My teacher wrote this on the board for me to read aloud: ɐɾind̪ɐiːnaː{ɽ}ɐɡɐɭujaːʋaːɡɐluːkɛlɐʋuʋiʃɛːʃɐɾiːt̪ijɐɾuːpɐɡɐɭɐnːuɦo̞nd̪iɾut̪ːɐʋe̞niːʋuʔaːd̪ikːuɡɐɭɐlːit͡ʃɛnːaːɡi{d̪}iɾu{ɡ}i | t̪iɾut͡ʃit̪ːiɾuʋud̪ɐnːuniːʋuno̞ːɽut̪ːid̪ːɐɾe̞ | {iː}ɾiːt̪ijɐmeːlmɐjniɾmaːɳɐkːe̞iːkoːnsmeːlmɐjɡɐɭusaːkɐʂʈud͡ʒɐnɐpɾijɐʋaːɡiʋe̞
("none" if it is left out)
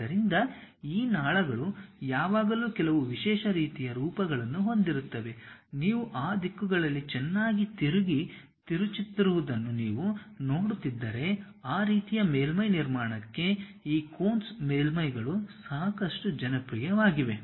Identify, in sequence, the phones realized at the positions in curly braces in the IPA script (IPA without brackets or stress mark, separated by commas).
ɭ, t̪, ɡ, aː